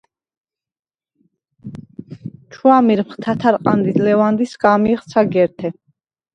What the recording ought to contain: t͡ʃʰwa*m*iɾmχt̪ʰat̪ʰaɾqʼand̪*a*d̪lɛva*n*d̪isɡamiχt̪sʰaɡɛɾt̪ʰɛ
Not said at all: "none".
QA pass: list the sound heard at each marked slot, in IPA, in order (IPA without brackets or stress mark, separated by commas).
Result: m, i, n